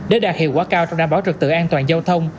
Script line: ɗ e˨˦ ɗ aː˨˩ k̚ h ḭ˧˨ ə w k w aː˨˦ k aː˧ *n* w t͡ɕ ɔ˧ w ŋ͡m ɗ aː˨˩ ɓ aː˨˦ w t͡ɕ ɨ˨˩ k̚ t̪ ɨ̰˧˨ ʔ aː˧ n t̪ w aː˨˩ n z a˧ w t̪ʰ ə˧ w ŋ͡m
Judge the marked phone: incorrect: none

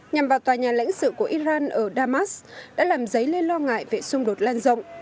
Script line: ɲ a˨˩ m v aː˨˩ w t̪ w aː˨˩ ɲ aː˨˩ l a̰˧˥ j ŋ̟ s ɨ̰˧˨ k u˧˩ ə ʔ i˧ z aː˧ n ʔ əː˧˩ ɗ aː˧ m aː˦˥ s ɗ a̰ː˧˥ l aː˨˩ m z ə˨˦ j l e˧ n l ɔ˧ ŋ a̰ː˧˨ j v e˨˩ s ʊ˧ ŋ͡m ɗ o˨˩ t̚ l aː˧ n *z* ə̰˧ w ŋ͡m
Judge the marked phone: correct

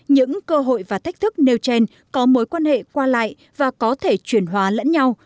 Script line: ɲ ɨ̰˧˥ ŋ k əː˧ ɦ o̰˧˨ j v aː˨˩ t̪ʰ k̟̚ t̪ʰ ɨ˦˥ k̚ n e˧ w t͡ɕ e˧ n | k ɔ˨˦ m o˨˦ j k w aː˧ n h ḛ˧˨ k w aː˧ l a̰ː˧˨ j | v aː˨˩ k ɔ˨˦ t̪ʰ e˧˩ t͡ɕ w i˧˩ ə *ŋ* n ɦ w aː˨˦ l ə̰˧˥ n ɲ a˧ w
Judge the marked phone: incorrect: none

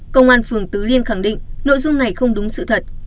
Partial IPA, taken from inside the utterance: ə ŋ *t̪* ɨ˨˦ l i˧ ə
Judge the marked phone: correct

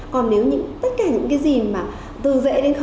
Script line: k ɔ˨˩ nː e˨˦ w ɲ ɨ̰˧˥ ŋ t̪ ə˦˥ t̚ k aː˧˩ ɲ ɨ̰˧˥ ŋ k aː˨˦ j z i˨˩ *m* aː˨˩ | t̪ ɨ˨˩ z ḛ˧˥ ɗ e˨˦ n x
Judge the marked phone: correct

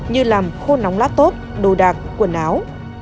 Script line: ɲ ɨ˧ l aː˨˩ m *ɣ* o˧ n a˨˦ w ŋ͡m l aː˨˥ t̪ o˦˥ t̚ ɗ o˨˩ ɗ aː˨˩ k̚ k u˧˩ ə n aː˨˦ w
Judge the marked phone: incorrect: x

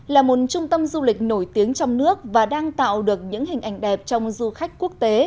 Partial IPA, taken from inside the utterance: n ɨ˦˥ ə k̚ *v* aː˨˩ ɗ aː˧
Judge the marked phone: correct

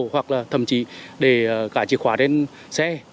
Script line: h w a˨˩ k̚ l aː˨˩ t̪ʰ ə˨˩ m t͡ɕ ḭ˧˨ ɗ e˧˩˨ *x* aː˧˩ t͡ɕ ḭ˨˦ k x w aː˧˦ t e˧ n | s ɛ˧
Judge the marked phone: incorrect: k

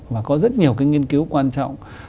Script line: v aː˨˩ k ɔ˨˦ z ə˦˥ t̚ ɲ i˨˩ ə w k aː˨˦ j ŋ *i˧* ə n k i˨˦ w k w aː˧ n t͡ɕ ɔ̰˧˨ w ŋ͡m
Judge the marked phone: correct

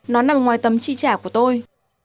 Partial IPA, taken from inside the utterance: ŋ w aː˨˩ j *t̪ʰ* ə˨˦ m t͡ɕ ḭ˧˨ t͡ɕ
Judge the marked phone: incorrect: t̪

